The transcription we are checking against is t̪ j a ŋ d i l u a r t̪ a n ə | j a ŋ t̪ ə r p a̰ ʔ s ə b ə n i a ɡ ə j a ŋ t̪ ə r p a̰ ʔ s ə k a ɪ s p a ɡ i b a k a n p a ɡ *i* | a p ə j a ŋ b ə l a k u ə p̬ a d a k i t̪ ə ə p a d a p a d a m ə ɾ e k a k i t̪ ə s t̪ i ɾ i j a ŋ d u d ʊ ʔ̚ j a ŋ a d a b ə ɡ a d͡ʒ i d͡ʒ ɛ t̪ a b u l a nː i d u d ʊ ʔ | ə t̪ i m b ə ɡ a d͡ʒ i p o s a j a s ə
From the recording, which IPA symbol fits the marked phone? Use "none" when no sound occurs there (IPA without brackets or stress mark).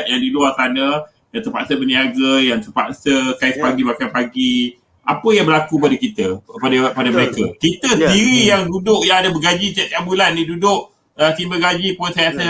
i